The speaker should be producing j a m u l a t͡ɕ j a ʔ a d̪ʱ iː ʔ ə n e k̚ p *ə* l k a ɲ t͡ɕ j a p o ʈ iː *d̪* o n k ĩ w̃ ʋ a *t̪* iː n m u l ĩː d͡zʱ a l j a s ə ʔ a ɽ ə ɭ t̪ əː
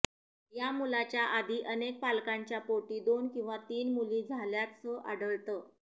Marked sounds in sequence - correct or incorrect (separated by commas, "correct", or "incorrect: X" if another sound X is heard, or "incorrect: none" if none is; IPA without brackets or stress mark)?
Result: incorrect: a, correct, correct